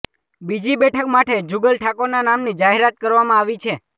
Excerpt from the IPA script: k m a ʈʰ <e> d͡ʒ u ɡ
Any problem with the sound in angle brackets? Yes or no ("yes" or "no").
no